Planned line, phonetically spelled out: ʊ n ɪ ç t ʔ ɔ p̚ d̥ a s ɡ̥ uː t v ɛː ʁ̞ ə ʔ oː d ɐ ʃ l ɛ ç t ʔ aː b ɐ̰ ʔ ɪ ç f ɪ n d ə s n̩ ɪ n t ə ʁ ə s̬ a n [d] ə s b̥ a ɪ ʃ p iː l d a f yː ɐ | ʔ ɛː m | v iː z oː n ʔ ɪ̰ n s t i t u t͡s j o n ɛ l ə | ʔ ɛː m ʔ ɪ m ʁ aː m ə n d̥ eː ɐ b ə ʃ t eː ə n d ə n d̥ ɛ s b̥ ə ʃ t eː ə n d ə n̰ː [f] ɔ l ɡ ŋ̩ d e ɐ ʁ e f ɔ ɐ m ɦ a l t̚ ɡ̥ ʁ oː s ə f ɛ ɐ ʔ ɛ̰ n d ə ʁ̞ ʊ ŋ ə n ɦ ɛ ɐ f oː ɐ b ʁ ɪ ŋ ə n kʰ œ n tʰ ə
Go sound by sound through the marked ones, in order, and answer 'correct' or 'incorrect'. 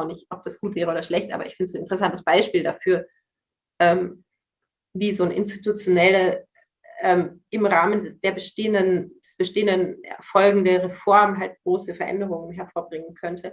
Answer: incorrect, correct

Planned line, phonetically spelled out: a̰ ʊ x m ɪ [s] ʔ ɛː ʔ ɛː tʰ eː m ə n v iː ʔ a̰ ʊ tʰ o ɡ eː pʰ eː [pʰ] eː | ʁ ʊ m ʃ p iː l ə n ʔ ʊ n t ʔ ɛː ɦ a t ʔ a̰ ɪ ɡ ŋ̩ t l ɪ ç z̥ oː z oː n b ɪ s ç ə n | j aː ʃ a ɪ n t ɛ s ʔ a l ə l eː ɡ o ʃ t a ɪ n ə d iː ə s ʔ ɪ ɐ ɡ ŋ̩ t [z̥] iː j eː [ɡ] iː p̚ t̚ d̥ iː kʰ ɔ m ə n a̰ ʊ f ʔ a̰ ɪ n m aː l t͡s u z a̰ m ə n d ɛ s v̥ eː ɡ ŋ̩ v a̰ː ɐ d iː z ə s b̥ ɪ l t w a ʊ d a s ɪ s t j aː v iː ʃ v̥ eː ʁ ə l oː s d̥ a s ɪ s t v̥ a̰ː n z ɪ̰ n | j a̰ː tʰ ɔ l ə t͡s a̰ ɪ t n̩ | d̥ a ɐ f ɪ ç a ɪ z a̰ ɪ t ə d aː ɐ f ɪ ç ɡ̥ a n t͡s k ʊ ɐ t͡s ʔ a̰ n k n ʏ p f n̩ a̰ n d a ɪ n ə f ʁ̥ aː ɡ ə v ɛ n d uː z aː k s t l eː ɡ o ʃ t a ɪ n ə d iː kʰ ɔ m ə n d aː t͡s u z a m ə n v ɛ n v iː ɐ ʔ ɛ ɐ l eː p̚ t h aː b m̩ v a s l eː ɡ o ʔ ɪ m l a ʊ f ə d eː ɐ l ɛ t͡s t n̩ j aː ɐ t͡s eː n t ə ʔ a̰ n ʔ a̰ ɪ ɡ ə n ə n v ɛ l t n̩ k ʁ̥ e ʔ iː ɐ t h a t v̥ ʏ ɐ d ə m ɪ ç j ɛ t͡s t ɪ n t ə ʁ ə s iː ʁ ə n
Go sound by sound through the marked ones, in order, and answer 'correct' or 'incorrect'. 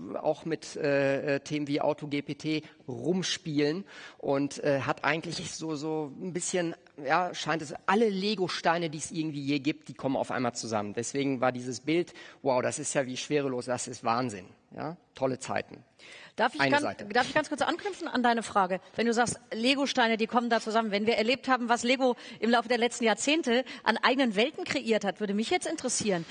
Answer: incorrect, incorrect, incorrect, correct

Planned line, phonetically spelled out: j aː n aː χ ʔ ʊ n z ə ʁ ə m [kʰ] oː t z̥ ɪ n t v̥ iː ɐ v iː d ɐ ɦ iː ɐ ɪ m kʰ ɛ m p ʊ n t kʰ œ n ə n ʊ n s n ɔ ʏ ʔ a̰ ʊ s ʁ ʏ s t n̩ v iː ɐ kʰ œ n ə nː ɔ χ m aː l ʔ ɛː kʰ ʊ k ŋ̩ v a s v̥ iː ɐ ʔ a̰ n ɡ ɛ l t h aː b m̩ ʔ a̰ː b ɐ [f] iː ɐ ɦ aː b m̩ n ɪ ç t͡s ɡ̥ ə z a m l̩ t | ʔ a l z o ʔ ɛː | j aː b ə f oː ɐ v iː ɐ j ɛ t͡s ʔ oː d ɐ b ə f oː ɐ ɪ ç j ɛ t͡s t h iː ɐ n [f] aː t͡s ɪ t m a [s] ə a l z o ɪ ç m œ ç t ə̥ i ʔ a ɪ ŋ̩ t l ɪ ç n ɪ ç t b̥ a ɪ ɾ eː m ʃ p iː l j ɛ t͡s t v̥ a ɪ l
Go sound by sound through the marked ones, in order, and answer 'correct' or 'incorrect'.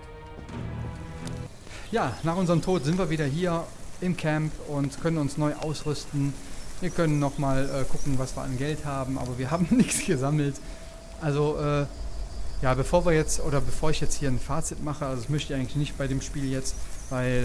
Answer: incorrect, incorrect, correct, incorrect

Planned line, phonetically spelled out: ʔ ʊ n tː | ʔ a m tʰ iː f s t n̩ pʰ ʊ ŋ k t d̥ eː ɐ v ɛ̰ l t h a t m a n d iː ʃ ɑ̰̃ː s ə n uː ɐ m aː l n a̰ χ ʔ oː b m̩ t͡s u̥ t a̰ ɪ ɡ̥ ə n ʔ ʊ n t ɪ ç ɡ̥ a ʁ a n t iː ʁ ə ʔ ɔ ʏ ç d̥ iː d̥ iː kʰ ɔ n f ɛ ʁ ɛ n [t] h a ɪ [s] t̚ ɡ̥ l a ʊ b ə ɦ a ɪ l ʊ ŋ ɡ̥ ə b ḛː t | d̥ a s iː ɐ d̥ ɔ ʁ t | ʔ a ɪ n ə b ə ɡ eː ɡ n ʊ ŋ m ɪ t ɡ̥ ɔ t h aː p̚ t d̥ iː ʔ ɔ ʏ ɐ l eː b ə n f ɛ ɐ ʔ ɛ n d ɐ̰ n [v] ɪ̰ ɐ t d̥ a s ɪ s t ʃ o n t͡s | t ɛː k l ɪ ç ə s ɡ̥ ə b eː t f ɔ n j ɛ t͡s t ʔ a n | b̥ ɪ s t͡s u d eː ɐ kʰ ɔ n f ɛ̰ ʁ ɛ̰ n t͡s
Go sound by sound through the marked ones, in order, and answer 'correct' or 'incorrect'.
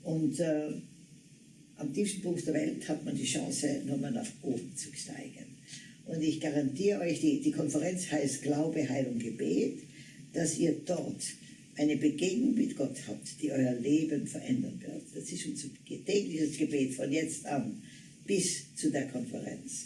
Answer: incorrect, correct, correct

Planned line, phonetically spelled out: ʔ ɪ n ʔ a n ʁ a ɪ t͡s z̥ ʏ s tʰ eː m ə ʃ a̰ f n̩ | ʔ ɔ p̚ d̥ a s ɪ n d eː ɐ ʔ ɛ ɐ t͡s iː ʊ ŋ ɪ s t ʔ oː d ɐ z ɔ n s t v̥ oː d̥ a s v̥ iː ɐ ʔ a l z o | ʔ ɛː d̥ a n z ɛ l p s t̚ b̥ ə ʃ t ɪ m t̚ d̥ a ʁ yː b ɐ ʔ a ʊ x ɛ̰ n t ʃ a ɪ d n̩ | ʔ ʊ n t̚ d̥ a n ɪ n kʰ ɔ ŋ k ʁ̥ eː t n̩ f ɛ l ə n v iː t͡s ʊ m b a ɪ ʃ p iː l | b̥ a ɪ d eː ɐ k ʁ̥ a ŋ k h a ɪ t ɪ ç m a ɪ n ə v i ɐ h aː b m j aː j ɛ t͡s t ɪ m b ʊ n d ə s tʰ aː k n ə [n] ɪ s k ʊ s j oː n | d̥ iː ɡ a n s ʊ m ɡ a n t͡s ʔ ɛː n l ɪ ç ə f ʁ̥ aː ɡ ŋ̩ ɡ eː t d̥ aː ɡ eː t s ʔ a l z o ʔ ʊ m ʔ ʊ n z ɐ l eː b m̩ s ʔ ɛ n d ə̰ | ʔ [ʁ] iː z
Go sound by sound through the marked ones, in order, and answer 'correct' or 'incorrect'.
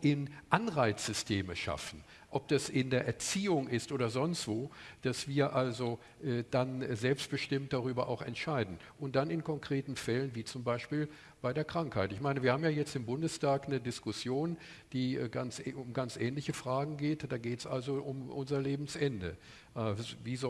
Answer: incorrect, incorrect

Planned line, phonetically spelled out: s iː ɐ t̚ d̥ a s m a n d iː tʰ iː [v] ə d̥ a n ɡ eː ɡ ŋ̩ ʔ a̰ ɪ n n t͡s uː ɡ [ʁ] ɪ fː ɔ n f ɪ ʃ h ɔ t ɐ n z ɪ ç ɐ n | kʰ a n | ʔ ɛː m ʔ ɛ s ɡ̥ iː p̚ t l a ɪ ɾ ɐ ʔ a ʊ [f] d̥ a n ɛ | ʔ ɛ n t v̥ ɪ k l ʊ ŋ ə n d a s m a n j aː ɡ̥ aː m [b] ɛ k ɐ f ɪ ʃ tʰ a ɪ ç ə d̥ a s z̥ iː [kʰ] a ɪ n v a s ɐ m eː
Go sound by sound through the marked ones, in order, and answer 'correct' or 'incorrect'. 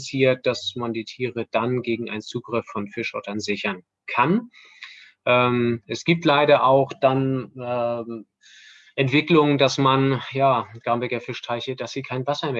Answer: incorrect, correct, incorrect, correct, correct

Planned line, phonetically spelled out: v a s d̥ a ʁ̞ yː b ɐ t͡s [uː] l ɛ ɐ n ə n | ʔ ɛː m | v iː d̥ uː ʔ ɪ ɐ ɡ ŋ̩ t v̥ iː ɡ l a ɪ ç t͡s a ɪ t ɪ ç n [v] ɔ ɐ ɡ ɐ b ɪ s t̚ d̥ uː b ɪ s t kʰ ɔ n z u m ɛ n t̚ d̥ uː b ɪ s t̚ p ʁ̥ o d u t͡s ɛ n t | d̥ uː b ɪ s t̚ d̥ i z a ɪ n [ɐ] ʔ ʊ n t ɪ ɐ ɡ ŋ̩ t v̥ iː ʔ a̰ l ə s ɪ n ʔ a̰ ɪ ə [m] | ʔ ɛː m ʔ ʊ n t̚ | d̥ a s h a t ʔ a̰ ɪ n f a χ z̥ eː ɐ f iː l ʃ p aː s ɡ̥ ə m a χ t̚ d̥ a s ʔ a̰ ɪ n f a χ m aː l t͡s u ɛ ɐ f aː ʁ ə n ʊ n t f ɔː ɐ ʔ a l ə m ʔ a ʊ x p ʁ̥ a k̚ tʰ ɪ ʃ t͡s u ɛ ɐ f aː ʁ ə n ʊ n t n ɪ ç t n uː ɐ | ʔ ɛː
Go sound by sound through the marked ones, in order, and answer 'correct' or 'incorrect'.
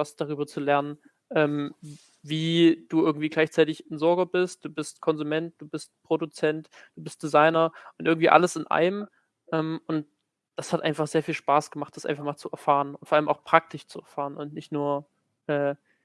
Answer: incorrect, incorrect, correct, correct

